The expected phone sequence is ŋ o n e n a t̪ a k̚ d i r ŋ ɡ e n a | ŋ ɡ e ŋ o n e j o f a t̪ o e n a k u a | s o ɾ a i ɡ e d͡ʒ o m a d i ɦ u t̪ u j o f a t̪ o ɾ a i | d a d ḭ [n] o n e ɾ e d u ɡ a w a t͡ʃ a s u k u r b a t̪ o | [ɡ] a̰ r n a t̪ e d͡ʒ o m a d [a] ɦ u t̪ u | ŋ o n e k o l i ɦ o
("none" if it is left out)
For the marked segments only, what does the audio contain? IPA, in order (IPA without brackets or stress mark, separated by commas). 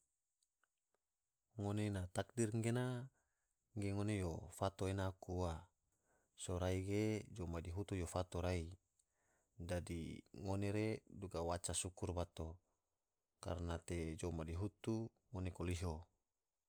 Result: ŋ, k, i